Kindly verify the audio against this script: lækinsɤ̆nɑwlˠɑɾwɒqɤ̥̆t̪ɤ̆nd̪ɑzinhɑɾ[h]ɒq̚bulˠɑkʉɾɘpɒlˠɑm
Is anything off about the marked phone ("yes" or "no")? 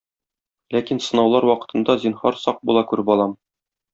yes